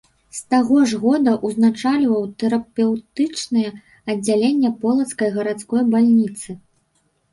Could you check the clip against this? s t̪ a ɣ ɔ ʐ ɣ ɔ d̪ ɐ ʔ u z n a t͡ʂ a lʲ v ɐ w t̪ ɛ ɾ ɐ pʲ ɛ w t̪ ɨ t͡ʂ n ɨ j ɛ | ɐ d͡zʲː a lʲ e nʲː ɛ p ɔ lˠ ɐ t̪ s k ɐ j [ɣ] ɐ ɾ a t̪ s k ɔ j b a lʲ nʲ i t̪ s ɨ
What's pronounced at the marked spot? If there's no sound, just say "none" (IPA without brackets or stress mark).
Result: ɣ